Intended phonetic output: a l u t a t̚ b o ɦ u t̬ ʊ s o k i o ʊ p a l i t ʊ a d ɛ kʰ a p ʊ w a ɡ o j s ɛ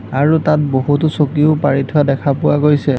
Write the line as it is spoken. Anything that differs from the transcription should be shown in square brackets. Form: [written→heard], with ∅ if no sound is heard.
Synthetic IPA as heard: a [l→ɹ] u t a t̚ b o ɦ u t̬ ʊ s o k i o ʊ p a [l→ɹ] i [t→tʰ] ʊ a d ɛ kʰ a p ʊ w a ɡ o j s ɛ